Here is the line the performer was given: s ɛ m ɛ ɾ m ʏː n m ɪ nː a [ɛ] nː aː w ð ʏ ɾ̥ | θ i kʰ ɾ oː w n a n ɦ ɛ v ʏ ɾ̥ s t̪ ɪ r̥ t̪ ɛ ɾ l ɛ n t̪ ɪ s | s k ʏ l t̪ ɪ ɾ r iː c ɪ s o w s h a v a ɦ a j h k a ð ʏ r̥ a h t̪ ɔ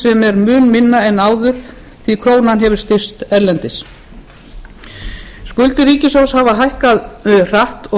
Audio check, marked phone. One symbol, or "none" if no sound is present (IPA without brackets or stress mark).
ɛ